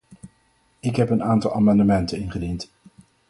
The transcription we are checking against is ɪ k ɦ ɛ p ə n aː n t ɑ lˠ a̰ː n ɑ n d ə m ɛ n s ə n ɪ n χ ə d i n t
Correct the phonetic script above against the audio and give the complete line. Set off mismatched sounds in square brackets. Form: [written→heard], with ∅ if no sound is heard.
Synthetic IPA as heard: ɪ k ɦ ɛ p ə n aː n t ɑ lˠ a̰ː [n→m] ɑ n d ə m ɛ n [s→t] ə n ɪ n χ ə d i n t